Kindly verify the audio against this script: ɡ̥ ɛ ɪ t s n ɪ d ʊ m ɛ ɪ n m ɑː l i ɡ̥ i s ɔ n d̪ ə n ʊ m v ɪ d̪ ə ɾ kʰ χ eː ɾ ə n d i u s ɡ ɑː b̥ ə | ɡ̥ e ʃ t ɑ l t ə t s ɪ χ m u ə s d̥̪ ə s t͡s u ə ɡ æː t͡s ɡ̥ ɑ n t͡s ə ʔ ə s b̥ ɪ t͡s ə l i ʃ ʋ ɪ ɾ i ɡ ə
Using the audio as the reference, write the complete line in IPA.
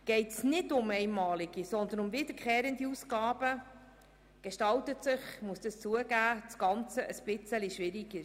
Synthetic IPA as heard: ɡ̥ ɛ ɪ t s n ɪ d ʊ m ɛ ɪ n m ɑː l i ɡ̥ i s ɔ n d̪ ə n ʊ m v ɪ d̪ ə ɾ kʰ χ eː ɾ ə n d i u s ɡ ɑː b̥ ə | ɡ̥ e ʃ t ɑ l t ə t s ɪ χ m u ə s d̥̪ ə s t͡s u ə ɡ æː t͡s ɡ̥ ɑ n t͡s ə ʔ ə s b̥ ɪ t͡s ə l i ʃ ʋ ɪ ɾ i ɡ ə